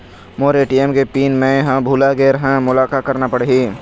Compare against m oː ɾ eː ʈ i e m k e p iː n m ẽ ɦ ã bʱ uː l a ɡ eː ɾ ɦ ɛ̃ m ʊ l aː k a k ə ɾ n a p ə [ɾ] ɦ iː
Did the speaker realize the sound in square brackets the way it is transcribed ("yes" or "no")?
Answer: no